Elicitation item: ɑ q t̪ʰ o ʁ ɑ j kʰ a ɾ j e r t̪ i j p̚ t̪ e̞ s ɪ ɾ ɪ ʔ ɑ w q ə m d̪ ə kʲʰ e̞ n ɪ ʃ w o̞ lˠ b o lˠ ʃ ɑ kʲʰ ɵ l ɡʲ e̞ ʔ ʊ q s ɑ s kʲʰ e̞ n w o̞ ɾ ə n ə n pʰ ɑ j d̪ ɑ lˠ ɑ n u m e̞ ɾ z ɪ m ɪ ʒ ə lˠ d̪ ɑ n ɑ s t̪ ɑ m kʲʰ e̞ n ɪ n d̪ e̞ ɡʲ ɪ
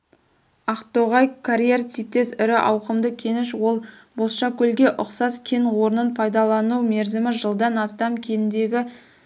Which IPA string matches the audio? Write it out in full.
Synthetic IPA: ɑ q t̪ o ʁ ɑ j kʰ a ɾ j e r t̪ i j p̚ t̪ e̞ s ɪ ɾ ɪ ʔ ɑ w q ə m d̪ ə kʲʰ e̞ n ɪ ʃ w o̞ lˠ b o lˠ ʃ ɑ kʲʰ ɵ l ɡʲ e̞ ʔ ʊ q s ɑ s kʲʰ e̞ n w o̞ ɾ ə n ə n pʰ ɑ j d̪ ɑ lˠ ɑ n u m e̞ ɾ z ɪ m ɪ ʒ ə lˠ d̪ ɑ n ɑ s t̪ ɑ m kʲʰ e̞ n ɪ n d̪ e̞ ɡʲ ɪ